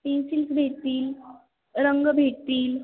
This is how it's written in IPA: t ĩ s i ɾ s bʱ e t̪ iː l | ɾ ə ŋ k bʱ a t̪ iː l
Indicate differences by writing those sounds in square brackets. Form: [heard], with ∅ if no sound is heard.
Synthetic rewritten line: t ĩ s i [l] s bʱ e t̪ iː l | ɾ ə ŋ [ɡ] bʱ [e] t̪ iː l